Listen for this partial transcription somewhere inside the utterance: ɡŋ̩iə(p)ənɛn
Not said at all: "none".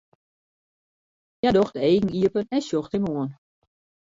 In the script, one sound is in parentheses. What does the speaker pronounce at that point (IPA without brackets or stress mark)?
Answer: p